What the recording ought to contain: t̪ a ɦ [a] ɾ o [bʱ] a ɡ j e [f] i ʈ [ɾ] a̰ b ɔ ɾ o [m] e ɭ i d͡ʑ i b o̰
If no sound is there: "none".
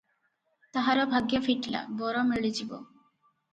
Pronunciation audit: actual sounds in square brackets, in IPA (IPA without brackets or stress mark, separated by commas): a, bʱ, f, l, m